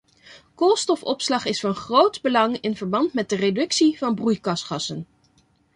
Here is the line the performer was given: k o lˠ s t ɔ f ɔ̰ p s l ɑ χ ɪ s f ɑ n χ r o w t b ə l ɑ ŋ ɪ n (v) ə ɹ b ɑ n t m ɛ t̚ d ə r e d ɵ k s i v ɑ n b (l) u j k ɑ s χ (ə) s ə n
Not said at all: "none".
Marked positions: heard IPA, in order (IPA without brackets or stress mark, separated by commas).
v, r, ɑ